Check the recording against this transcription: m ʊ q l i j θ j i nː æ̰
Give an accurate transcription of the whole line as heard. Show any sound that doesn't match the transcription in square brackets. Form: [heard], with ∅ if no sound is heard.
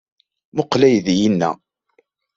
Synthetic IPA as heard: m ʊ q l [æ] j [ð] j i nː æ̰